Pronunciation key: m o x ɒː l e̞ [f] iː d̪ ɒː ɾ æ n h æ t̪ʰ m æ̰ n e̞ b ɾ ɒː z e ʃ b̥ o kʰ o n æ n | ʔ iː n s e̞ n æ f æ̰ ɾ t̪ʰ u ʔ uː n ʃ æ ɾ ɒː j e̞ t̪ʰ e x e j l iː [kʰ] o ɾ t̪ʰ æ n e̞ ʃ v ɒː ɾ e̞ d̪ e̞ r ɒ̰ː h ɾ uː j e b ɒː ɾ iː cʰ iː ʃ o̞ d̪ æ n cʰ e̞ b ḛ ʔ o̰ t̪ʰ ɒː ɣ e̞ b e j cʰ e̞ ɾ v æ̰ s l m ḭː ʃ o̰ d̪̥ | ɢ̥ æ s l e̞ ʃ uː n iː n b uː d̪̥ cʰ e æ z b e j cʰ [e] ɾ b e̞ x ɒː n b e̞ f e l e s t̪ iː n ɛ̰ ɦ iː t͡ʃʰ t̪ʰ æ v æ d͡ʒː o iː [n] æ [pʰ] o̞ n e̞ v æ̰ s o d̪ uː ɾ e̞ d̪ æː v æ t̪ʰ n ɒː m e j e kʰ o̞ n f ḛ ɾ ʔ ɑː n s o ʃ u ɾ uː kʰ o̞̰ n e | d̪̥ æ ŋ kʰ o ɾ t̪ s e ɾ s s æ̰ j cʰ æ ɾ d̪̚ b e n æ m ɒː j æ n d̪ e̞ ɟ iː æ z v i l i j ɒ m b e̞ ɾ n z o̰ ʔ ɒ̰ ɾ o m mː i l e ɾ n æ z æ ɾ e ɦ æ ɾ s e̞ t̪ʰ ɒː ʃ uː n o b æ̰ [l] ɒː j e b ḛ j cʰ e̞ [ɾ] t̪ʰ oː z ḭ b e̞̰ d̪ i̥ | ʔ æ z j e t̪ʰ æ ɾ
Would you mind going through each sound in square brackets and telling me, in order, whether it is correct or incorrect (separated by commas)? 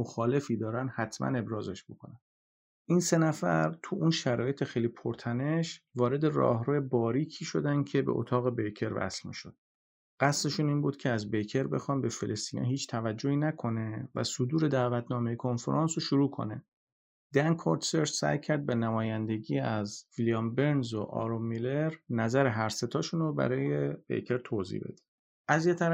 correct, incorrect, correct, correct, incorrect, incorrect, correct